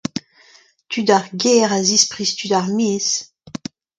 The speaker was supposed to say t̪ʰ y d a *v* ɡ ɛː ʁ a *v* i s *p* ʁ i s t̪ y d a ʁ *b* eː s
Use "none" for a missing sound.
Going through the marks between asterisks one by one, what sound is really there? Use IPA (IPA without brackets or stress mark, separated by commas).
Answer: ʁ, z, p, m